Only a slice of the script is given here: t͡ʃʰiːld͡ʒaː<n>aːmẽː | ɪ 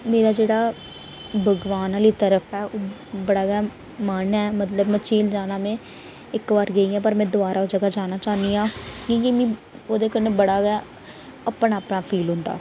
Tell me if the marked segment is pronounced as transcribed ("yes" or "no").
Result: yes